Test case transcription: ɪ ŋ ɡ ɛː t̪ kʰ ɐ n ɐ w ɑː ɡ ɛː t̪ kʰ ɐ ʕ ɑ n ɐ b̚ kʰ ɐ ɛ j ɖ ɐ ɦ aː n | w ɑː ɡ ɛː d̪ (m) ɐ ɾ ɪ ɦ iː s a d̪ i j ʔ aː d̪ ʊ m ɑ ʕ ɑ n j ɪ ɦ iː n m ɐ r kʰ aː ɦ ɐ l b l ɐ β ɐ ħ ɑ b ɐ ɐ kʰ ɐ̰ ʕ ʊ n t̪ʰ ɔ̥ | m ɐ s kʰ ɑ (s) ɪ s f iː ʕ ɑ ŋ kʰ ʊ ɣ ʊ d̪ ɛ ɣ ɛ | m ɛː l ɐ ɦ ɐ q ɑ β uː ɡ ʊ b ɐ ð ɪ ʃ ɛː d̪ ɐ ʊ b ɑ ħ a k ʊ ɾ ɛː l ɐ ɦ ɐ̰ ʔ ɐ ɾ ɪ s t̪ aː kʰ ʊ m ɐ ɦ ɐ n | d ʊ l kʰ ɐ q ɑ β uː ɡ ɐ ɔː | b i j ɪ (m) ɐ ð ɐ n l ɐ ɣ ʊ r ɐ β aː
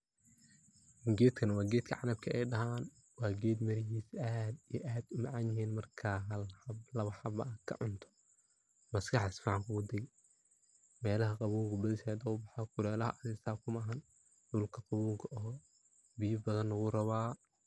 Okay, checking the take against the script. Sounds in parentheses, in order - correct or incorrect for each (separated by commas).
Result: correct, incorrect, incorrect